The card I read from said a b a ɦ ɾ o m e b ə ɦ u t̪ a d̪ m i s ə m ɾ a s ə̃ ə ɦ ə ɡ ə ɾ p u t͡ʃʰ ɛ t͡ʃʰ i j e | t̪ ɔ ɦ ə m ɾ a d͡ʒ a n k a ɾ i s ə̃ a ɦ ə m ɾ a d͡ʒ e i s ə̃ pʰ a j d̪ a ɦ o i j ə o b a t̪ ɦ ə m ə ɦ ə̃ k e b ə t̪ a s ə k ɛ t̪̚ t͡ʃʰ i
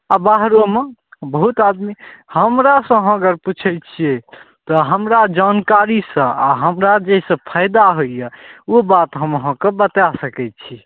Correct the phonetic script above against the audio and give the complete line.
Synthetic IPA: a b a ɦ ɾ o m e b ə ɦ u t̪ a d̪ m i h ə m ɾ a s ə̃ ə ɦ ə ɡ ə ɾ p u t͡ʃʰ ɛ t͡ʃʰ i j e | t̪ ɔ ɦ ə m ɾ a d͡ʒ a n k a ɾ i s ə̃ a ɦ ə m ɾ a d͡ʒ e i s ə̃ pʰ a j d̪ a ɦ o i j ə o b a t̪ ɦ ə m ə ɦ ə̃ k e b ə t̪ a s ə k ɛ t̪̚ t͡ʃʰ i